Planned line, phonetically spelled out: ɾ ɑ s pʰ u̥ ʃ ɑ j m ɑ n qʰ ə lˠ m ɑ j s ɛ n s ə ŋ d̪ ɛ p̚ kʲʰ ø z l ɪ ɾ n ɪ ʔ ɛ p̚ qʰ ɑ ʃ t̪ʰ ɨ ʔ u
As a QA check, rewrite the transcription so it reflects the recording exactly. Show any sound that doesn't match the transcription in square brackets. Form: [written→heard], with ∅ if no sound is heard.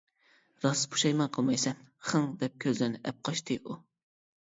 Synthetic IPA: ɾ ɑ s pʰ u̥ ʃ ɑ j m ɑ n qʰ ə lˠ m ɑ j s ɛ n [s→χ] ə ŋ d̪ ɛ p̚ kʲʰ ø z l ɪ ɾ n ɪ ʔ ɛ p̚ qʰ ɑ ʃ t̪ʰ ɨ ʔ u